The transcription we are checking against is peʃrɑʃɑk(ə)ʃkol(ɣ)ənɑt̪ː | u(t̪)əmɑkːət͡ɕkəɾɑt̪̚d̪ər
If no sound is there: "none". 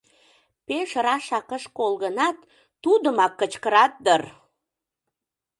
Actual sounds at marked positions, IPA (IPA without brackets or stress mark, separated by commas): ə, ɣ, d̪